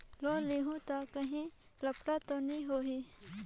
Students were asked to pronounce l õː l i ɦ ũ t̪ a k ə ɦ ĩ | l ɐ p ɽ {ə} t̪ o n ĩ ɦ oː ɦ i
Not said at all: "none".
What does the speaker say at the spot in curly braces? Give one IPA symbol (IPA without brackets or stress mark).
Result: a